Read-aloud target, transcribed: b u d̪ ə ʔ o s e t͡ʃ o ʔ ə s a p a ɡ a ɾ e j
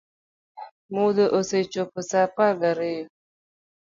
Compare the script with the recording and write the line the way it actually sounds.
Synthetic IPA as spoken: m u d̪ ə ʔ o s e t͡ʃ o p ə s a p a ɡ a ɾ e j